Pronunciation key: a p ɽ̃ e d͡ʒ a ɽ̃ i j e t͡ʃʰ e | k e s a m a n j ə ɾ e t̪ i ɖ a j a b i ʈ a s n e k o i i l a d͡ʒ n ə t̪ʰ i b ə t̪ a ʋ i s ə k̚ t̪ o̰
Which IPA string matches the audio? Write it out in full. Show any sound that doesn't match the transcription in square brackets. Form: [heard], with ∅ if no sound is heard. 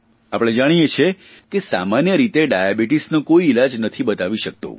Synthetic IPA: a p ɽ̃ e d͡ʒ a ɽ̃ i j e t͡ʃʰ e | k e s a m a n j ə ɾ [i] t̪ [e] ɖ a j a b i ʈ [i] s n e k o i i l a d͡ʒ n ə t̪ʰ i b ə t̪ a ʋ i [ʃ] ə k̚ t̪ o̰